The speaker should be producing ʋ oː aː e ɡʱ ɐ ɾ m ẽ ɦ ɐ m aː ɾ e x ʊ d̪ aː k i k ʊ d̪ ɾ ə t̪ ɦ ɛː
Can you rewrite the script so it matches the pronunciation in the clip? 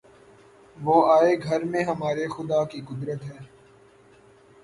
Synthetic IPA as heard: ʋ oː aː e ɡʱ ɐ ɾ m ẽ ɦ ɐ m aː ɾ e x ʊ d̪ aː k i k ʊ d̪ ɾ ə t̪ ɦ ɛː